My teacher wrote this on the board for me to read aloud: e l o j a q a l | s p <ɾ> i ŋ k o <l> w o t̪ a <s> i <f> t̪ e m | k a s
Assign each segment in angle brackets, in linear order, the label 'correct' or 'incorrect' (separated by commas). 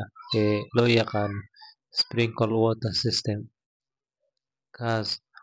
correct, correct, correct, incorrect